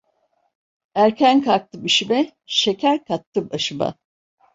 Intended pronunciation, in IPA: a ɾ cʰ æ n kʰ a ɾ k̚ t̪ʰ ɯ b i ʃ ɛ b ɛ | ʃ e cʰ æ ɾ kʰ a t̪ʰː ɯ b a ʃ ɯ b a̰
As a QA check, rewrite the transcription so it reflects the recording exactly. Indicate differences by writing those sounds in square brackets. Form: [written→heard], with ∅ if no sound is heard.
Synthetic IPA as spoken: [a→æ] ɾ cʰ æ n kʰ a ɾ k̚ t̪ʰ ɯ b i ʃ [ɛ→i] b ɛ | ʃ e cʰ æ ɾ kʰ a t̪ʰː ɯ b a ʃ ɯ b a̰